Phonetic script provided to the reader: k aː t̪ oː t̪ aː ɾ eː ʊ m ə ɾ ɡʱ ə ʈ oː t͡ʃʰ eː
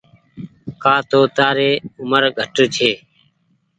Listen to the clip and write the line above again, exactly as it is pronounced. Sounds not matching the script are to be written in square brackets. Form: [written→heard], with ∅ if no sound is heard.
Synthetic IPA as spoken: k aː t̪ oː t̪ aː ɾ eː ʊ m ə ɾ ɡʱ ə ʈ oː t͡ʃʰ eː

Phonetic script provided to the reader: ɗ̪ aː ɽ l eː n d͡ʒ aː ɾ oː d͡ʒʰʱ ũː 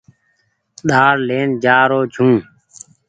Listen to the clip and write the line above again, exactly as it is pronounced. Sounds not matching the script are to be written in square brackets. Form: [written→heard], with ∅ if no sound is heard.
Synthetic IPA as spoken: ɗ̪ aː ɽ l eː n d͡ʒ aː ɾ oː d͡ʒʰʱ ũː

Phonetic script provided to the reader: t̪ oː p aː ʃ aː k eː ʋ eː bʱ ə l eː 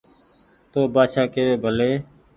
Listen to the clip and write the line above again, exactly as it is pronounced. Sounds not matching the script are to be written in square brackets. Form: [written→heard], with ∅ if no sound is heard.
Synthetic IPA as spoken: t̪ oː [p→b] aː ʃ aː k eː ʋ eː bʱ ə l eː

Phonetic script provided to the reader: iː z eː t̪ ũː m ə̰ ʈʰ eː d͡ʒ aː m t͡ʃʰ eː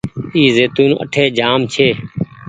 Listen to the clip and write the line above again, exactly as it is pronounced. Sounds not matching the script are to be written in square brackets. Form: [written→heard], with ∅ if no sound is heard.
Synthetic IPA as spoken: iː z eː t̪ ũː [m→n] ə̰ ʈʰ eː d͡ʒ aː m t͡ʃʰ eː

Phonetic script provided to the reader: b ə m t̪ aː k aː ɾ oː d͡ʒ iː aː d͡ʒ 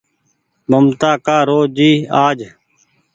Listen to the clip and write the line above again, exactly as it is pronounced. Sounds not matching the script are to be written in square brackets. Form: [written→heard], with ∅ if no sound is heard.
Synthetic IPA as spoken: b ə m t̪ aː k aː ɾ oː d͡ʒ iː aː d͡ʒ

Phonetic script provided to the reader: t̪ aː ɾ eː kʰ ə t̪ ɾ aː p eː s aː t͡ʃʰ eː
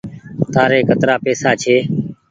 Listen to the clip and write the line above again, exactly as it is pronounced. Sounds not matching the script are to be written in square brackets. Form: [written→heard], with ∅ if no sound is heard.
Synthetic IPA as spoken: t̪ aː ɾ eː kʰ ə t̪ ɾ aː p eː s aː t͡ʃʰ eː

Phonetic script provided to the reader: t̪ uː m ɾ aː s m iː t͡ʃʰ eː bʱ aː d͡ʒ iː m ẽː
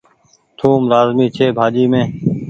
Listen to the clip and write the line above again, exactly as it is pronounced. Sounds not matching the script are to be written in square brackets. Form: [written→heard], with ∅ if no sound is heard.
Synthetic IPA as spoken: [t̪→t̪ʰ] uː m ɾ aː [s→z] m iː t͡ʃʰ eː bʱ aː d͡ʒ iː m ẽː

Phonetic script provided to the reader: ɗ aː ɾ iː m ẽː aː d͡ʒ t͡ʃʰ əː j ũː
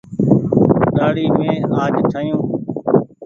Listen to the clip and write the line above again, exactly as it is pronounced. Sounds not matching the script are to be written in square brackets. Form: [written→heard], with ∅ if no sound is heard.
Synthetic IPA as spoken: ɗ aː [ɾ→ɽ] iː m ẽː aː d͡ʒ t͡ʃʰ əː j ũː

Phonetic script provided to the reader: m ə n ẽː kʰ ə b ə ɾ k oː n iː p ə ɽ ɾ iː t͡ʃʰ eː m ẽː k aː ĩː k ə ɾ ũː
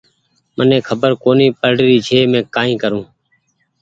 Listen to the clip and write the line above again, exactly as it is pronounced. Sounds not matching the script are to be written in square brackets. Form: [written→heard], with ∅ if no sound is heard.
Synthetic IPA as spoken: m ə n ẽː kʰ ə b ə ɾ k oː n iː p ə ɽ ɾ iː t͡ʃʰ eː m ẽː k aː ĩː k ə ɾ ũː

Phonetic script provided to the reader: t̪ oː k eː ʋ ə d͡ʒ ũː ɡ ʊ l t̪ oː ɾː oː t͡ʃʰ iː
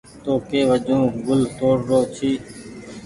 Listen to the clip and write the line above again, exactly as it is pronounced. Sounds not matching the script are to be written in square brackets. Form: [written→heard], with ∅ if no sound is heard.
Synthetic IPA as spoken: t̪ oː k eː ʋ ə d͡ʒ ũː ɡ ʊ l t̪ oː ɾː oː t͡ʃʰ iː

